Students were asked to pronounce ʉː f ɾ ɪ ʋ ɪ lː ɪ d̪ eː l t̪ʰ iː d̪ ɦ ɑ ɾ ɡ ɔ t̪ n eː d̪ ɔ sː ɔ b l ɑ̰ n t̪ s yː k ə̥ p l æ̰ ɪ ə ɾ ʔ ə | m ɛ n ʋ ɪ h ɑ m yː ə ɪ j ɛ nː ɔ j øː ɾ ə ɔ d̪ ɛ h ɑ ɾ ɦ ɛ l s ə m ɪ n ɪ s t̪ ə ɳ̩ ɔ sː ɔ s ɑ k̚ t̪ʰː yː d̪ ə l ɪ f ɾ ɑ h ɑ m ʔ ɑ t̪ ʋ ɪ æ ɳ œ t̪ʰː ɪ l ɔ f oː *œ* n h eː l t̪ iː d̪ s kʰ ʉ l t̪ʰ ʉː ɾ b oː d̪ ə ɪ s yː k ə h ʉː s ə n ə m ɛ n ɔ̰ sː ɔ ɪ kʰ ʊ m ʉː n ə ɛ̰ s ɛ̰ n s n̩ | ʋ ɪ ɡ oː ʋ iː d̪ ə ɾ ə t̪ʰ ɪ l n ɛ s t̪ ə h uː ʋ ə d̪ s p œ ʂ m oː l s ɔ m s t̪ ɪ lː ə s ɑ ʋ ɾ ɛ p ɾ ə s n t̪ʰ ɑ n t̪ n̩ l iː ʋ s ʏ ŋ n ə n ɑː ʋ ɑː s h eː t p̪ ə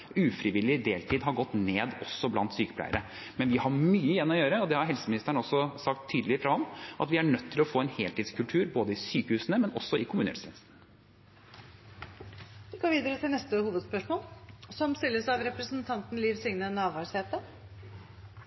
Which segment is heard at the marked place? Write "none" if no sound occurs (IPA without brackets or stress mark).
ɛ